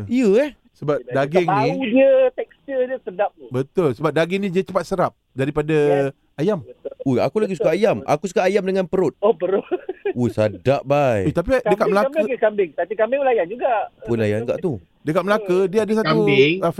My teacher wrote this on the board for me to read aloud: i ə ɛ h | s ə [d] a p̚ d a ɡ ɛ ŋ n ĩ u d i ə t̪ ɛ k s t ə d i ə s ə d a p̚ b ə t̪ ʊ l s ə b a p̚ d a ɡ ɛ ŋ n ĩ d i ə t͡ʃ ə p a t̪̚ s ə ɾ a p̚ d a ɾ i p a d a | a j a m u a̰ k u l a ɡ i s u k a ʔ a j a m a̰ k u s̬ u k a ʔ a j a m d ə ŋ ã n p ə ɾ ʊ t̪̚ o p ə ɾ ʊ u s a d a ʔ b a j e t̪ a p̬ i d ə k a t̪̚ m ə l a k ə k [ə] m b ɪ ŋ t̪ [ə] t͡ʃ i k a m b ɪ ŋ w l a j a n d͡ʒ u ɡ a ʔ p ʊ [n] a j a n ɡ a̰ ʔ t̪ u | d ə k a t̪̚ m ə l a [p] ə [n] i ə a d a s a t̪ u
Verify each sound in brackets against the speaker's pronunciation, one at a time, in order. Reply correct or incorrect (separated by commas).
incorrect, incorrect, incorrect, correct, incorrect, incorrect